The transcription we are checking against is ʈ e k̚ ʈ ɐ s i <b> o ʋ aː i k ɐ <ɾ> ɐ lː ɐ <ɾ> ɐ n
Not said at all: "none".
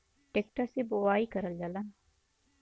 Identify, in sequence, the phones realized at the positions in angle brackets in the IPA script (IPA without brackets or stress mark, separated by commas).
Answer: b, ɾ, l